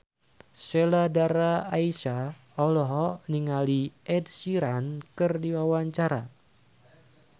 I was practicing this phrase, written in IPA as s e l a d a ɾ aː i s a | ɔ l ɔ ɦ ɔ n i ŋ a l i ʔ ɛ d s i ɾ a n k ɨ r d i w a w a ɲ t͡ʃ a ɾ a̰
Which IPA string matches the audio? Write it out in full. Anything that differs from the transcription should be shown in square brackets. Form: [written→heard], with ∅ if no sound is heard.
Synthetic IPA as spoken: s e l a d a ɾ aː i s a | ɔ l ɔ ɦ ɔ n i ŋ a l i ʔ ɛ d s i ɾ a n k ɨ r d i w a w a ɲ t͡ʃ a ɾ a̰